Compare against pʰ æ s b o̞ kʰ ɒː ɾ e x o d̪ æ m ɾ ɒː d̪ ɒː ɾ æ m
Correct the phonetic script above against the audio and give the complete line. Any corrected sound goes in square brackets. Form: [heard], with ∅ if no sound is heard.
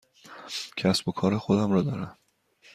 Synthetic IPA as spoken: [cʰ] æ s b o̞ kʰ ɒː ɾ e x o d̪ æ m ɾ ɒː d̪ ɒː ɾ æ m

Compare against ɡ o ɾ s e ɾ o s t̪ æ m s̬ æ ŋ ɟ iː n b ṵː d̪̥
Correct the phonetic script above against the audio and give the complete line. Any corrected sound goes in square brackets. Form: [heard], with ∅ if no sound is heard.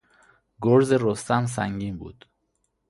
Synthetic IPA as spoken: ɡ o ɾ [z] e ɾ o s t̪ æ m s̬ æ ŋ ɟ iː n b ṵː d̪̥

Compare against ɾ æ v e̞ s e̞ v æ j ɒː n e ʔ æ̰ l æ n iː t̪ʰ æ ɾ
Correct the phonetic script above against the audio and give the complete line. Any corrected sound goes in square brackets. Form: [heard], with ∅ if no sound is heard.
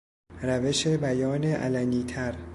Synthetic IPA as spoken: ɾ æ v e̞ [ʃ] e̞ [b] æ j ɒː n e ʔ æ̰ l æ n iː t̪ʰ æ ɾ

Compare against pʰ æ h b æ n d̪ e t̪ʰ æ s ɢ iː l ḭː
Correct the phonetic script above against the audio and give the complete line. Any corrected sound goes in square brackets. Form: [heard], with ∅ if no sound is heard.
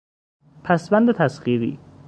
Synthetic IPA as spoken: pʰ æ [s] b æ n d̪ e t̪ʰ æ s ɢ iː [ɾ] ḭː

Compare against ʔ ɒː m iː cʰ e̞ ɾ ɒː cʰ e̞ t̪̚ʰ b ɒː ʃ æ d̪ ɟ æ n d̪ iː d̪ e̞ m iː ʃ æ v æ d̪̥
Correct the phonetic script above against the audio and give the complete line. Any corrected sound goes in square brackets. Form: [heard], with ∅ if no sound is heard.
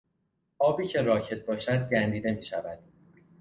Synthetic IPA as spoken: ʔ ɒː [b] iː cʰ e̞ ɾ ɒː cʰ e̞ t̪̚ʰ b ɒː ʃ æ d̪ ɟ æ n d̪ iː d̪ e̞ m iː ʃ æ v æ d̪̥

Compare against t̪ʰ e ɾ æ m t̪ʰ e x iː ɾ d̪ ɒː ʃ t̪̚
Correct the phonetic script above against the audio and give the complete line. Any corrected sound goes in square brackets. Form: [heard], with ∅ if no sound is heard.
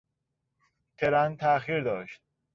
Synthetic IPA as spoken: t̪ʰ e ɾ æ [n] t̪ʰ [æ] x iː ɾ d̪ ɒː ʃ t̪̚

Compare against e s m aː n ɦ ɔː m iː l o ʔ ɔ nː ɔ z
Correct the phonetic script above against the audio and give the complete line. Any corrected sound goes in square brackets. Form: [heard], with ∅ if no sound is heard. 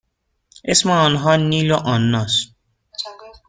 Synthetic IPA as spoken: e s m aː n ɦ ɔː [n] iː l o ʔ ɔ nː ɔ [s]

